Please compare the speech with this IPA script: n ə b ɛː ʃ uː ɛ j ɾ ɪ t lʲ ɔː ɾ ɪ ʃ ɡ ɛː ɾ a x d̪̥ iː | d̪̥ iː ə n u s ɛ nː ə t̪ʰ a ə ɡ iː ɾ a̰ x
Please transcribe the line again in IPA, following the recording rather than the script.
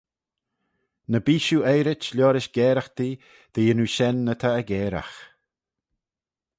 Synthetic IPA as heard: n ə b iː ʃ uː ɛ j ɾ ɪ t͡ʃ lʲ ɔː ɾ ɪ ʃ ɡ ɛː ɾ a x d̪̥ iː | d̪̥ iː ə n u ʃ ɛ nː ə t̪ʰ a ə ɡ ɛː ɾ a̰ x